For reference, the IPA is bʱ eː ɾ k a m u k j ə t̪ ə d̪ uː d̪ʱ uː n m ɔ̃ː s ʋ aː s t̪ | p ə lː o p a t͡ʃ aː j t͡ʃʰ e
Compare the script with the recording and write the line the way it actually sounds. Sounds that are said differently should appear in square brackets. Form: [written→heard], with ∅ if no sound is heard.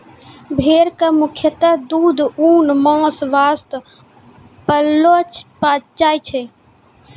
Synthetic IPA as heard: bʱ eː ɾ k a m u [k→kʰ] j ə t̪ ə d̪ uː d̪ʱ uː n m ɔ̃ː s ʋ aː s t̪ | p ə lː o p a t͡ʃ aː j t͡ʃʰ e